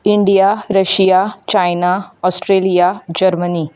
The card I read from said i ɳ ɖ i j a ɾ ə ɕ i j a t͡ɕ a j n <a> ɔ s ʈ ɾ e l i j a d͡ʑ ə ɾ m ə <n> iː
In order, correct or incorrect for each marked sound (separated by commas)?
correct, correct